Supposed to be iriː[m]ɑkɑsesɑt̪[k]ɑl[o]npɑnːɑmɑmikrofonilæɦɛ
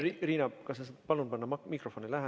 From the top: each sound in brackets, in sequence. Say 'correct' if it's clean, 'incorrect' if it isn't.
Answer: incorrect: n, incorrect: p, incorrect: u

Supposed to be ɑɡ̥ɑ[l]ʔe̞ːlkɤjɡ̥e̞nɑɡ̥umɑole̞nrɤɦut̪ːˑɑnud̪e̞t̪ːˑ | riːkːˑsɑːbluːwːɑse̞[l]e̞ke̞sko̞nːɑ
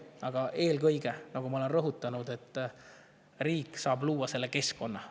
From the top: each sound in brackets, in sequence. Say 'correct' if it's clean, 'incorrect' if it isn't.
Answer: incorrect: none, incorrect: lː

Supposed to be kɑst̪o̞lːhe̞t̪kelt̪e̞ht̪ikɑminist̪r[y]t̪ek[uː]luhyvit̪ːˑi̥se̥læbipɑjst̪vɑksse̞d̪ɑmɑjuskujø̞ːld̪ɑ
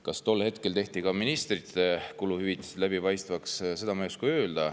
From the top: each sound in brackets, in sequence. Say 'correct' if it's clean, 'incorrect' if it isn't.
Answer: incorrect: i, incorrect: u

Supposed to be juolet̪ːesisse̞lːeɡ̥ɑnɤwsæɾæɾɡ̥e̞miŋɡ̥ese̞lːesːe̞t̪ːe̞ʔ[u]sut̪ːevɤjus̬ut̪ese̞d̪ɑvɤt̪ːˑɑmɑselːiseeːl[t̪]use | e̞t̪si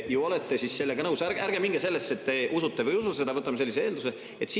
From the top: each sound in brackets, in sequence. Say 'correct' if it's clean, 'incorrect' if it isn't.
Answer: correct, incorrect: d̪

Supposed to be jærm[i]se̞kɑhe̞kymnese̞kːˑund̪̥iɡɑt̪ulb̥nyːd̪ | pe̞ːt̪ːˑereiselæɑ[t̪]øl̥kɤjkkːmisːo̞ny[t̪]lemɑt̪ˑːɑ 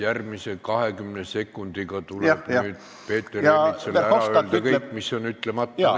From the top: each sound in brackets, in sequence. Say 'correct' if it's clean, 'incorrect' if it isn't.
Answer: correct, incorrect: none, correct

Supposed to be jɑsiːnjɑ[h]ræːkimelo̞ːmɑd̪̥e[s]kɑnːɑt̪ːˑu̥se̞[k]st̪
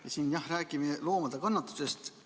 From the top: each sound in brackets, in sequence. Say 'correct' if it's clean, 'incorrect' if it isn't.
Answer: correct, incorrect: none, incorrect: none

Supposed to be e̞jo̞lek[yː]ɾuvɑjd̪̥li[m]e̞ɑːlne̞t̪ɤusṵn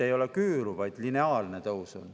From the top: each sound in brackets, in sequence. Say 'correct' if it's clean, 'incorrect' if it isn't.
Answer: correct, incorrect: n

